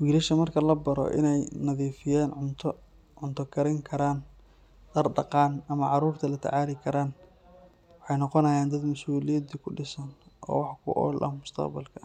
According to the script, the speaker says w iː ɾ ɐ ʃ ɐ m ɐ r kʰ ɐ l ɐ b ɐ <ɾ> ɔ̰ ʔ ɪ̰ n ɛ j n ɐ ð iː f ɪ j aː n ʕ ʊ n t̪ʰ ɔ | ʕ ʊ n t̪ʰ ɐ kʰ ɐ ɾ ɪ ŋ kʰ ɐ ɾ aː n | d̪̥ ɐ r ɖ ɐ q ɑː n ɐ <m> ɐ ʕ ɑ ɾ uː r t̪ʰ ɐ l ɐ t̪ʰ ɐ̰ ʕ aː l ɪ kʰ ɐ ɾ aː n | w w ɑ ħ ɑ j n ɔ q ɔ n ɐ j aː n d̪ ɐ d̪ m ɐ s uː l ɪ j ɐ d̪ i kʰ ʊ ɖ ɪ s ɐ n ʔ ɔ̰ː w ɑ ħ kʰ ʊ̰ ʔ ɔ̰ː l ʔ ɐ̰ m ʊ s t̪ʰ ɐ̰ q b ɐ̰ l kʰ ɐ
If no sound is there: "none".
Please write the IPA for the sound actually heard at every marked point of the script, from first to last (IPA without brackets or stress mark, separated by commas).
ɾ, m